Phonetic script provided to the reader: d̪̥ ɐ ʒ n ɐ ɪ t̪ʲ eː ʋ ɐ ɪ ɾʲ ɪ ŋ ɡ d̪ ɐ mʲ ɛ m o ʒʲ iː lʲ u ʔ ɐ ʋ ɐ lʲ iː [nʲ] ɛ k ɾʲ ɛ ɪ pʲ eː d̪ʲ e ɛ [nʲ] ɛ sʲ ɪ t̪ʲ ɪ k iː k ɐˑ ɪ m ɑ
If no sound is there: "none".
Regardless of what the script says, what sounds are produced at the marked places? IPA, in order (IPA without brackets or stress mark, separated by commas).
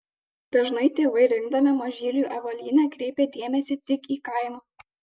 nʲ, mʲ